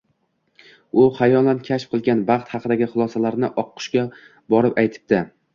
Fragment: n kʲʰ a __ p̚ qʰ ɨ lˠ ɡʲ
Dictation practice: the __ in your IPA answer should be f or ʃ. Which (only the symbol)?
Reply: ʃ